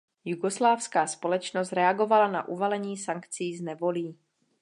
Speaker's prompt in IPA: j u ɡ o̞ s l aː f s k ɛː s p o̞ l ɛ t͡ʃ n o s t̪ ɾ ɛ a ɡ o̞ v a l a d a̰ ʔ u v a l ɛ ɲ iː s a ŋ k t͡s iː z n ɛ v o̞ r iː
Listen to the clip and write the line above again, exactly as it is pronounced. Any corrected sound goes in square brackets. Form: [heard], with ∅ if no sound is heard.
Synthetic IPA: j u ɡ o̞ s l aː f s k [aː] s p o̞ l ɛ t͡ʃ n o s t̪ ɾ ɛ a ɡ o̞ v a l a [n] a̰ ʔ u v a l ɛ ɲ iː s a ŋ k t͡s iː z n ɛ v o̞ [l] iː